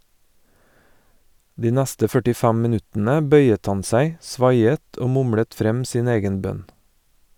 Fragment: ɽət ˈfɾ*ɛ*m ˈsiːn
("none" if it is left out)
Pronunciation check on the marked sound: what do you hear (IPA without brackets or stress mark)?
ɛ